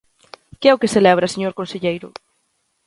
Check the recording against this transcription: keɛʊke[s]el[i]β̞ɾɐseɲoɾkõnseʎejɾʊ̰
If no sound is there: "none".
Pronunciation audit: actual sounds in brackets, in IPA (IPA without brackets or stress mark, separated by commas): s, ɛ